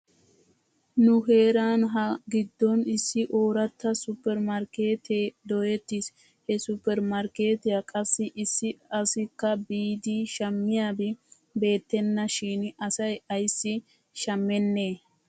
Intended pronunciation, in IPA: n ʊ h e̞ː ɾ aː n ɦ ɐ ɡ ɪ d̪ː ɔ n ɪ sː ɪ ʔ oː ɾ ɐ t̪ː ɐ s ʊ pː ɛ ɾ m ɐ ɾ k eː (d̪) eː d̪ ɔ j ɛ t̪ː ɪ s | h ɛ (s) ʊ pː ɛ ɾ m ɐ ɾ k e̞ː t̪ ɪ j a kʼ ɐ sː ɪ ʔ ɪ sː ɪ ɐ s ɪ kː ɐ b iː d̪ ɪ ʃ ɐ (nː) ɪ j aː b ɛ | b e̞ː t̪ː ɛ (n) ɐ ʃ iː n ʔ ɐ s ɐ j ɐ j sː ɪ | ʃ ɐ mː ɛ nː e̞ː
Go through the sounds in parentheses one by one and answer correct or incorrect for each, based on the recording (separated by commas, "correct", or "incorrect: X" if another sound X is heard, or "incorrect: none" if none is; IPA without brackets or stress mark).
incorrect: t̪, correct, incorrect: mː, incorrect: nː